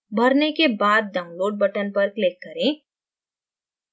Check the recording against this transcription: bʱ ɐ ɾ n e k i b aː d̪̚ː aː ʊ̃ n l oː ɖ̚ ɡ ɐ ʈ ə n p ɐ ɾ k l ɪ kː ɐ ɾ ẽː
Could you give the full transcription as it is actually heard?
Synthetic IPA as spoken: bʱ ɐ ɾ n e k e b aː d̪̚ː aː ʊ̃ n l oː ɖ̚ b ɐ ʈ ə n p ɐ ɾ k l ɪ kː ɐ ɾ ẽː